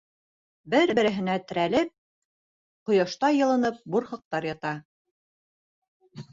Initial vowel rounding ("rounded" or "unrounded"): unrounded